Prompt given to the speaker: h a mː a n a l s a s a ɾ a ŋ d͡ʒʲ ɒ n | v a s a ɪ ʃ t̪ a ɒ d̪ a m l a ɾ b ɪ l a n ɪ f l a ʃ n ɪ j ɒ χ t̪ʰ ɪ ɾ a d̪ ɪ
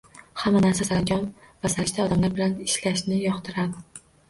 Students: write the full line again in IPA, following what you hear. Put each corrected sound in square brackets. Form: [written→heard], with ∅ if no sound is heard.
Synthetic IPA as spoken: h a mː a n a [l→ɾ] s a s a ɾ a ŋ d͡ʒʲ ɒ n | v a s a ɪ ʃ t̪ a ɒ d̪ a m l a ɾ b ɪ l a n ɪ [f→ʃ] l a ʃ n ɪ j ɒ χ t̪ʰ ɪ ɾ a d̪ ɪ